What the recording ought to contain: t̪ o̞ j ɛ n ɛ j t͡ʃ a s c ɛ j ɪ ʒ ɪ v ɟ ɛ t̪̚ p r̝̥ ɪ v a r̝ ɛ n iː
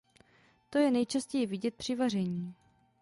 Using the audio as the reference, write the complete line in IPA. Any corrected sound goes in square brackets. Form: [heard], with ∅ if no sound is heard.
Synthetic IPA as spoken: t̪ o̞ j ɛ n ɛ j t͡ʃ a s c ɛ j ɪ [v] ɪ [∅] ɟ ɛ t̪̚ p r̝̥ ɪ v a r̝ ɛ [ɲ] iː